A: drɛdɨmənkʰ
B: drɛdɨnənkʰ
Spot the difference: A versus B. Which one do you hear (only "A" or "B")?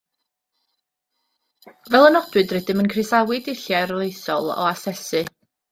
A